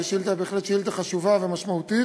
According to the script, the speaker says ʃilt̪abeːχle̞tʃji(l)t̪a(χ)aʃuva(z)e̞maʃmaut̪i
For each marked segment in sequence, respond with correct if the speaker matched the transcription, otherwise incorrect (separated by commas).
correct, correct, incorrect